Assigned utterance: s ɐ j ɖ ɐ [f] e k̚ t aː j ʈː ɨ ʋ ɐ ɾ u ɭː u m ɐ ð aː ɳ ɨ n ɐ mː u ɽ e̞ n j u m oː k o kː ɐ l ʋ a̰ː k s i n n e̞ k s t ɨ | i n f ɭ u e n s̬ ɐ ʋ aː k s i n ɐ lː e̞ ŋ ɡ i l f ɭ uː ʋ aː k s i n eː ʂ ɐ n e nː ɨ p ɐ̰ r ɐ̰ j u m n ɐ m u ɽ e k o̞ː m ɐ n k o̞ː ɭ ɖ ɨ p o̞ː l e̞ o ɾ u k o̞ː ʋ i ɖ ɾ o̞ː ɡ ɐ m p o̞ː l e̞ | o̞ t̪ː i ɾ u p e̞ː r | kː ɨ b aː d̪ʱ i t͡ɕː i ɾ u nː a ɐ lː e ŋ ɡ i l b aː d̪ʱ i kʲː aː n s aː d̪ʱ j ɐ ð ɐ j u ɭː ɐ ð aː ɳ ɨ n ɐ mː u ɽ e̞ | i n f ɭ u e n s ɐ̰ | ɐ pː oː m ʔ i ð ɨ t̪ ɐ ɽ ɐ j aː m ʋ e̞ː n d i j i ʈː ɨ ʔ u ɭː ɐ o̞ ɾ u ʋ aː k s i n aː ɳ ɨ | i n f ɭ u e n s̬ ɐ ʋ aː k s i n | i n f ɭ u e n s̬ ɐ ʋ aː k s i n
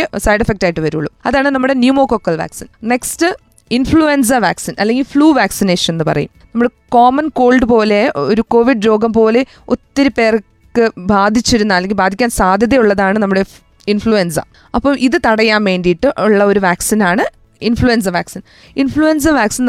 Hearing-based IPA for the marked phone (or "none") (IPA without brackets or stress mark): f